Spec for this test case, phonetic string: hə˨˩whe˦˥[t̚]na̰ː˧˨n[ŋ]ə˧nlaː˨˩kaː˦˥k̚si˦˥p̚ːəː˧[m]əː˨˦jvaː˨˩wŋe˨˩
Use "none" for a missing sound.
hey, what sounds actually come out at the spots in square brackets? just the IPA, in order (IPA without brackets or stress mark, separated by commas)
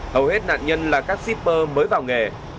t̚, ɲ, m